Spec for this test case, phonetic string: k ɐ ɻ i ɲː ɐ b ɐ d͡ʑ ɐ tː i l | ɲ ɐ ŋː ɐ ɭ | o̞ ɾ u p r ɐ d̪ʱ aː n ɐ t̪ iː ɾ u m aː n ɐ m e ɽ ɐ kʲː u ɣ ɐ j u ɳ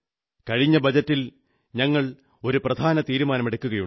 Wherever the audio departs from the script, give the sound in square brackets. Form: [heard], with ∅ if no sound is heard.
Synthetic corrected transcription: k ɐ ɻ i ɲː ɐ b ɐ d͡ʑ ɐ tː i l | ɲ ɐ ŋː ɐ ɭ | o̞ ɾ u p r ɐ d̪ʱ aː n ɐ t̪ iː ɾ u m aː n ɐ m e ɽ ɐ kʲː u ɣ ɐ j u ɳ